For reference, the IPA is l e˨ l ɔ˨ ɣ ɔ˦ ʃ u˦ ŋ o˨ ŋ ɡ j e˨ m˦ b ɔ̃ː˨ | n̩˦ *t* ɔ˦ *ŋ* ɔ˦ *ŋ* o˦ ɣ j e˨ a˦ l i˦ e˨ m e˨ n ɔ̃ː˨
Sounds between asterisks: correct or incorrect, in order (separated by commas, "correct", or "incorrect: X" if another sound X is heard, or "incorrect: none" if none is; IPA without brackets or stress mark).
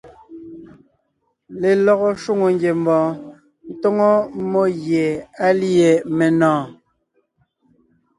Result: correct, correct, incorrect: m